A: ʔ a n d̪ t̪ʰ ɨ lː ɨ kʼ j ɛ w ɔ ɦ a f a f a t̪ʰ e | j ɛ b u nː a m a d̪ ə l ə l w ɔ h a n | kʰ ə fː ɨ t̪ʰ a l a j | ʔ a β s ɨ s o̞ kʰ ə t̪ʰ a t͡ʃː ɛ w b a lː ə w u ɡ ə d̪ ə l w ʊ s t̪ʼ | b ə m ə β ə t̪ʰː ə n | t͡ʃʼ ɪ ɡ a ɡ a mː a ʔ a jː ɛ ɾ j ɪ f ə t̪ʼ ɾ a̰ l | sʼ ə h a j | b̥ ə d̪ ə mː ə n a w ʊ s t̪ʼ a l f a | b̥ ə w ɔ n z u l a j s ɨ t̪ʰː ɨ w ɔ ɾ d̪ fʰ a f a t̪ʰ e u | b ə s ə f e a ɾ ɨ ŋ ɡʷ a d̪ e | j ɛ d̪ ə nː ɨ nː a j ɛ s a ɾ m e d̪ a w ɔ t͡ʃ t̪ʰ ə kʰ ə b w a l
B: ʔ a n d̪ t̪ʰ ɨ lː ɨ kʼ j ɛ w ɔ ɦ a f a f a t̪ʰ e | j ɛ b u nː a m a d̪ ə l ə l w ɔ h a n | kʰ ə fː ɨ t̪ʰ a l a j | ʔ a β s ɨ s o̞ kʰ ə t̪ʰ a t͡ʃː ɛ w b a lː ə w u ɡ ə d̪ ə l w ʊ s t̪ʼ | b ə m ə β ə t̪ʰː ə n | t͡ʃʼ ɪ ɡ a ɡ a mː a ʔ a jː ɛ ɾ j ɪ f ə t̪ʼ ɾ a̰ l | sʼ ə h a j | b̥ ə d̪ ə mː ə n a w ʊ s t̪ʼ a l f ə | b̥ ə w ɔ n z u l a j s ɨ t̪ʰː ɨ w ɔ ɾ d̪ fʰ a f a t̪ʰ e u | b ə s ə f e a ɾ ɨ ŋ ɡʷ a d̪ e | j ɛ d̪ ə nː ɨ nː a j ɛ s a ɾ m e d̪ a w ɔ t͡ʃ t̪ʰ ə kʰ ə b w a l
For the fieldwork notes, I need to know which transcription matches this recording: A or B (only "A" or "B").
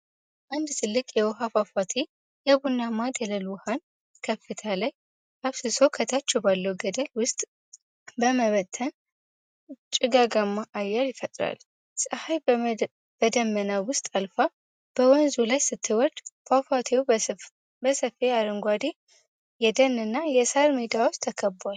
A